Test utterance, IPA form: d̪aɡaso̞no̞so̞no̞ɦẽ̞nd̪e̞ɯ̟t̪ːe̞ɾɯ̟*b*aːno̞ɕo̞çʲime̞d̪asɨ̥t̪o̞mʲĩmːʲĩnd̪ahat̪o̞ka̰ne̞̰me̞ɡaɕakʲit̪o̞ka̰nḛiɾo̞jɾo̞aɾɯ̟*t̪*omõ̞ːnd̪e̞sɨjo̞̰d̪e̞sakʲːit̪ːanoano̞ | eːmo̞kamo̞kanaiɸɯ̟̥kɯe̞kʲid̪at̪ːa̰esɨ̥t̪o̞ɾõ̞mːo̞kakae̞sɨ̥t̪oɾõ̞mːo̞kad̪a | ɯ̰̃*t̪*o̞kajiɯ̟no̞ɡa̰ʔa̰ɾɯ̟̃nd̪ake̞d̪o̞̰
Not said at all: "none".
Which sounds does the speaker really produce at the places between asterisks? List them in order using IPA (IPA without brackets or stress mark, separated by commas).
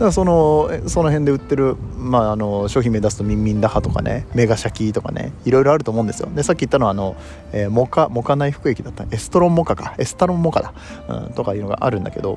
m, t̪, t̪